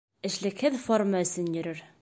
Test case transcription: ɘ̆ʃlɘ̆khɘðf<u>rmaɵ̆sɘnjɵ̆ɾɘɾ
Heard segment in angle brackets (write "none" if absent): o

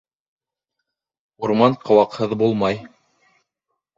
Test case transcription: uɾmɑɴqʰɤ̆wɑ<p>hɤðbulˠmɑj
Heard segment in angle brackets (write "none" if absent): q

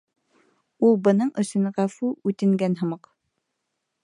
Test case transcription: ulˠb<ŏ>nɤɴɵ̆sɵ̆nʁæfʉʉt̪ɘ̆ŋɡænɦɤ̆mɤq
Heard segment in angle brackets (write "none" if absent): ɤ̆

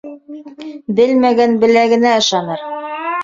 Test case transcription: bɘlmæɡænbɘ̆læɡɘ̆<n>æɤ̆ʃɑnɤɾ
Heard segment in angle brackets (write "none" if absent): n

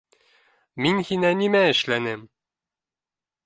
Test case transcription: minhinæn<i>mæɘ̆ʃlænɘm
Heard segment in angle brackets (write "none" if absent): i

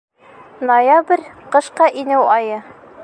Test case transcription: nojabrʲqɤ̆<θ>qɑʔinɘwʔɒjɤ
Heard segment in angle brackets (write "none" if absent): ʃ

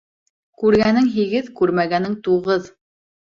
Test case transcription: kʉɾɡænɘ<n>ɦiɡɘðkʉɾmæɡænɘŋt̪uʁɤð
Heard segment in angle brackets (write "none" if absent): ŋ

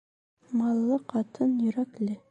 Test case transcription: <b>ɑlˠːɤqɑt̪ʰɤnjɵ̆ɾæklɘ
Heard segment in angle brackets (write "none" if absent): m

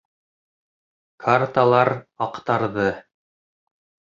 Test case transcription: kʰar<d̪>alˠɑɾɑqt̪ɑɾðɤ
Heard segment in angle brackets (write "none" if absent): t̪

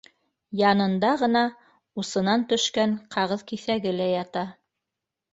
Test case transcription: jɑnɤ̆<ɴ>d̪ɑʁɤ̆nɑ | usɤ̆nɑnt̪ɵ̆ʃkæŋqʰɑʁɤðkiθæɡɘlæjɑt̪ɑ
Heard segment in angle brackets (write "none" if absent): n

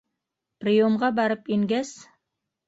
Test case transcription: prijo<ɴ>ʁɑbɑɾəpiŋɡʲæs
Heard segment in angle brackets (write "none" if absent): m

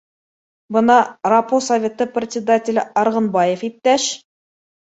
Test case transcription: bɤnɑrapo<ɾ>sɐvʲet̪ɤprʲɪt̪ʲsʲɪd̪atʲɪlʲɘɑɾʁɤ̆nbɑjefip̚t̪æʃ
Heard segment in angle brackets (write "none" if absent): none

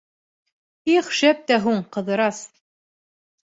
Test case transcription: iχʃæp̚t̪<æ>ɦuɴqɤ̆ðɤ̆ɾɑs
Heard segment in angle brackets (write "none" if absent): æ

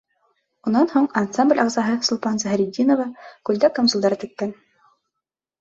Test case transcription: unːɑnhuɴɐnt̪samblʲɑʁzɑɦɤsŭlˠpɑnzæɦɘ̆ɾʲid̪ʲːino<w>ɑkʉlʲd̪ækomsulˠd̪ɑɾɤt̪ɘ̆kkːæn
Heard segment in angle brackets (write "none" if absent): v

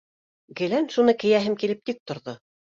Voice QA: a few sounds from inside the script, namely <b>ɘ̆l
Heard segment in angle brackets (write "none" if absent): ɡ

